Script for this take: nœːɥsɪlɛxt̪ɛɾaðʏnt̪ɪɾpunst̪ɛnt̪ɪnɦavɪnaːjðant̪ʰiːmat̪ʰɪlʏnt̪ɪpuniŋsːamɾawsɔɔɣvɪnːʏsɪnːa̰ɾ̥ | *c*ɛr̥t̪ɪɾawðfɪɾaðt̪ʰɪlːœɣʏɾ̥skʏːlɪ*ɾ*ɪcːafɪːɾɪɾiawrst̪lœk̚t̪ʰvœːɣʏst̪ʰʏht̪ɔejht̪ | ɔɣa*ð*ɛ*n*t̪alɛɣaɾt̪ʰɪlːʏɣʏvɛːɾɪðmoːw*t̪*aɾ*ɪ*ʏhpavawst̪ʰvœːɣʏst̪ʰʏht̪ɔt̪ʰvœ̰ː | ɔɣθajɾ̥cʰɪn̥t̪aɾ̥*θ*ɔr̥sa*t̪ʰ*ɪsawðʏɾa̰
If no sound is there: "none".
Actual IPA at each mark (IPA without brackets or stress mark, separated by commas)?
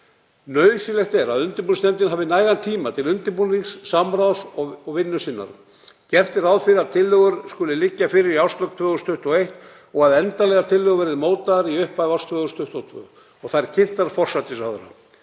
c, l, ð, n, t̪, i, f, t̪